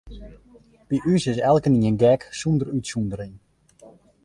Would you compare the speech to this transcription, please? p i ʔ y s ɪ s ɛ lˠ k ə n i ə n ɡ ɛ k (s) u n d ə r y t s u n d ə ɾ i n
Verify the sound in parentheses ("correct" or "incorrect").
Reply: correct